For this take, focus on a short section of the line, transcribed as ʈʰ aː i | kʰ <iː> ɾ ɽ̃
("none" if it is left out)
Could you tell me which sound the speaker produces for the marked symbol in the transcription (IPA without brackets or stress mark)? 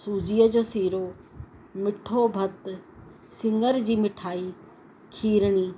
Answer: iː